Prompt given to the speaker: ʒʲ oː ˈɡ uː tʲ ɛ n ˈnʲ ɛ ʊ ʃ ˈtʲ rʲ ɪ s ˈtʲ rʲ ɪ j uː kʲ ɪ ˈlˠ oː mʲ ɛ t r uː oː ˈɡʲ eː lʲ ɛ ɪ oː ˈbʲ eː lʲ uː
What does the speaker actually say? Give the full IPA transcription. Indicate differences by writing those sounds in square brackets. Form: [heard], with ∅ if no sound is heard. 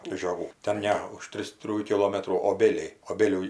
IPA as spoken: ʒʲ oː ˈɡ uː tʲ ɛ n ˈnʲ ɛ ʊ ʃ ˈtʲ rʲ ɪ s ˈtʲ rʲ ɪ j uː kʲ ɪ ˈlˠ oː mʲ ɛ t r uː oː [ˈbʲ] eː lʲ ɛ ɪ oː ˈbʲ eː lʲ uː